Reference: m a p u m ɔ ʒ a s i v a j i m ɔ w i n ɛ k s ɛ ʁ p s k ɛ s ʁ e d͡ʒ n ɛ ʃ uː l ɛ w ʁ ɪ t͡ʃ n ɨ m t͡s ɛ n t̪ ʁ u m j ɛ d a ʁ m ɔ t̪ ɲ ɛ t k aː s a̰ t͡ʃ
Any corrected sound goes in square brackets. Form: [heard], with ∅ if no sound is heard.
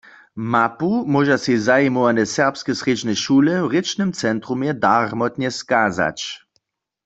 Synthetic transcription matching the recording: m a p u m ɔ ʒ a s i [z] a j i m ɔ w [a] n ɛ [∅] s ɛ ʁ p s k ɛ s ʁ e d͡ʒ n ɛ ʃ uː l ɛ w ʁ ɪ t͡ʃ n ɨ m t͡s ɛ n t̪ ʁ u m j ɛ d a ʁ m ɔ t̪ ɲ ɛ [s] k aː [z] a̰ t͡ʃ